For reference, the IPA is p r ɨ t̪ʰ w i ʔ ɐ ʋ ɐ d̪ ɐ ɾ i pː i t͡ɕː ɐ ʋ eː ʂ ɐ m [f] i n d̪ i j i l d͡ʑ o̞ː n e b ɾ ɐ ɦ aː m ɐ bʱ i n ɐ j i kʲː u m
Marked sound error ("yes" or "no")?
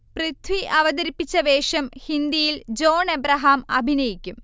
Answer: yes